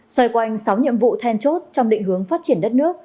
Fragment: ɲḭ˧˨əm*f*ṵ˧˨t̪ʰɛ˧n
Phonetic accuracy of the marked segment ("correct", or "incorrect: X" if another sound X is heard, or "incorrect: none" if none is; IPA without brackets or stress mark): incorrect: v